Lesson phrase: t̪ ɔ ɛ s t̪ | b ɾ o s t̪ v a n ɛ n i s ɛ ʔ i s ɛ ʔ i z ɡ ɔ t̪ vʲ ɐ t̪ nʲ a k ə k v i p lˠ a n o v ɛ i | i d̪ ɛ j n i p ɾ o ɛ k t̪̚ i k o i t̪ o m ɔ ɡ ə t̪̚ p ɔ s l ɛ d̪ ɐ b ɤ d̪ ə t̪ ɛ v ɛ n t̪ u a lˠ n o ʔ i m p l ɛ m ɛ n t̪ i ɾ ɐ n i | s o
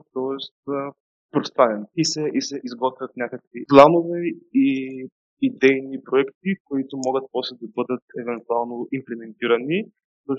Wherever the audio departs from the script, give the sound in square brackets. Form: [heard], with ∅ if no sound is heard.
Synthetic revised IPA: t̪ ɔ ɛ s t̪ | [p] ɾ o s t̪ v a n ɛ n i s ɛ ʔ i s ɛ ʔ i z ɡ ɔ t̪ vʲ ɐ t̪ nʲ a k ə k v i p lˠ a n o v ɛ i | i d̪ ɛ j n i p ɾ o ɛ k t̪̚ i k o i t̪ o m ɔ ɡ ə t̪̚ p ɔ s l ɛ d̪ ɐ b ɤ d̪ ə t̪ ɛ v ɛ n t̪ u a lˠ n o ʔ i m p l ɛ m ɛ n t̪ i ɾ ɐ n i | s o